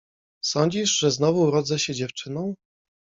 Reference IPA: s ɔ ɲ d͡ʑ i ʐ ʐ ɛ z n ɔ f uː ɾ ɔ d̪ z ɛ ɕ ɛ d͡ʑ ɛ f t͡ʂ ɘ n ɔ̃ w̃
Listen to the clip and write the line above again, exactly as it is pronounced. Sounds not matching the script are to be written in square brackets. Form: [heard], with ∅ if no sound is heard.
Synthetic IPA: s ɔ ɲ d͡ʑ i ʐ ʐ ɛ z n ɔ [v] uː ɾ ɔ d̪ z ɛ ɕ ɛ d͡ʑ ɛ f t͡ʂ ɘ n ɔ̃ w̃